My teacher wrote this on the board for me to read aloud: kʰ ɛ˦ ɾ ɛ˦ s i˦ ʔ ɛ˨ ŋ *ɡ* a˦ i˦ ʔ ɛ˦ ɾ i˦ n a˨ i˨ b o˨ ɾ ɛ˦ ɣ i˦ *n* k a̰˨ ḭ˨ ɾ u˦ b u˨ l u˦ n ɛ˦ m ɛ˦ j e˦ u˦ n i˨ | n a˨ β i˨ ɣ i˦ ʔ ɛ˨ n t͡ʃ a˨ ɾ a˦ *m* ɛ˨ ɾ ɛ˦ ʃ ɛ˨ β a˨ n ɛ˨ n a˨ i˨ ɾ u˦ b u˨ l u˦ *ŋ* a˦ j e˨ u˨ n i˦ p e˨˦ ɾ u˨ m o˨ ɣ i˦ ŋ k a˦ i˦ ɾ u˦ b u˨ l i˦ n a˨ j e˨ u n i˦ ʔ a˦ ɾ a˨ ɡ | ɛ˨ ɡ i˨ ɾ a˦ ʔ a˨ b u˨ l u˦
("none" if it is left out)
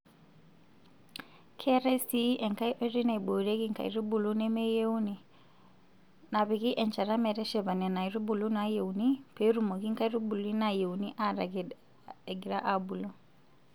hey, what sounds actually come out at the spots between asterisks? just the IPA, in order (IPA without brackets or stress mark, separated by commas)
k, ŋ, m, n